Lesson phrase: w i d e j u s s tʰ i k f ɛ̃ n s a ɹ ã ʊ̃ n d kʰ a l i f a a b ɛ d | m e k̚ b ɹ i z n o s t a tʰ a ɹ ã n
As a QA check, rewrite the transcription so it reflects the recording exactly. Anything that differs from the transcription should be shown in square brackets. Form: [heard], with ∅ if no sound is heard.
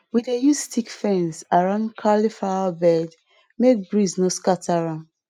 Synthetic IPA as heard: w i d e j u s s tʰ i k f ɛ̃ n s a ɹ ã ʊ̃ n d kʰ a l i f a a b ɛ d | m e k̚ b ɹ i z n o s [k] a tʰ a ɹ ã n